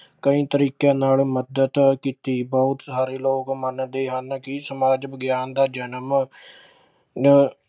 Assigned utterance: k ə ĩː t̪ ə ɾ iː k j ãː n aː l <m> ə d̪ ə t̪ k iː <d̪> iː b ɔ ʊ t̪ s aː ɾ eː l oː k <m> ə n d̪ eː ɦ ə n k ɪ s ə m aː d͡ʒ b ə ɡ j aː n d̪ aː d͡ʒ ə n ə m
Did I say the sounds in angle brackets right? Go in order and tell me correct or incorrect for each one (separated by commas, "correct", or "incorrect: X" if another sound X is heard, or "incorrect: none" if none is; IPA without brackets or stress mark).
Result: correct, incorrect: t̪, correct